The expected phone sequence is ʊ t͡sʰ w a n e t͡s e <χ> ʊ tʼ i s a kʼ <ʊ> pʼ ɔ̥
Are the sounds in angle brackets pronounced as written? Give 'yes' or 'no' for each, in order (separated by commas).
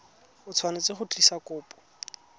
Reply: yes, no